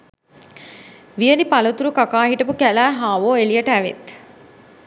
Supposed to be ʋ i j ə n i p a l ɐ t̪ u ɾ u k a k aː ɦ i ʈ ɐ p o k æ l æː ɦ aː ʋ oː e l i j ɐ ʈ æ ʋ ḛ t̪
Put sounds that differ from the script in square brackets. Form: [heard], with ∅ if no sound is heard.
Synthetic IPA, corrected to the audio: ʋ i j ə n i p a l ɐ t̪ u ɾ u k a k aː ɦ i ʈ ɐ p [u] k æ l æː ɦ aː ʋ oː e l i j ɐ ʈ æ ʋ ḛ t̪